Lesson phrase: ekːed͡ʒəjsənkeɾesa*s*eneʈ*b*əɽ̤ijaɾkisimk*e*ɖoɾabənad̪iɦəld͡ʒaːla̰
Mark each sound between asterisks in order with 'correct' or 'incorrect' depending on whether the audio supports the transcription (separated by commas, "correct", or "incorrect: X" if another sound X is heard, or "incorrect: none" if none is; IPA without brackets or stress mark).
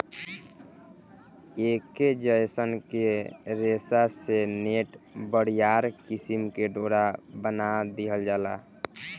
correct, correct, correct